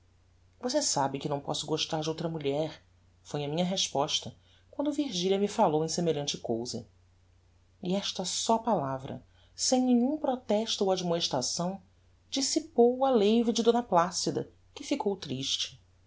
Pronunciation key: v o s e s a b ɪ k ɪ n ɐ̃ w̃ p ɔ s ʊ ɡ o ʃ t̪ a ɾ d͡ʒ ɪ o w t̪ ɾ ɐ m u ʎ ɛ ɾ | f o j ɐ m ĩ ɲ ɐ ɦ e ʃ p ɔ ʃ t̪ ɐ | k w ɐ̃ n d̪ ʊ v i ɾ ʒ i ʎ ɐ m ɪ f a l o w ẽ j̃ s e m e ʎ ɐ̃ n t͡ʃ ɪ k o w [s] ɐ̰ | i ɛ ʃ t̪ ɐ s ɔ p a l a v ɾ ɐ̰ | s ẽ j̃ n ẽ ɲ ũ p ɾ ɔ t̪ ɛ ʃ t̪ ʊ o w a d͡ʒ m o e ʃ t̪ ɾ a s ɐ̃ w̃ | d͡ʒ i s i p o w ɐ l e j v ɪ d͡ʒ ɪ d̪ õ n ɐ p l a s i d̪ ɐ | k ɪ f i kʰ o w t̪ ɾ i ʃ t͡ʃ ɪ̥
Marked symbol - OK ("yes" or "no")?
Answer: no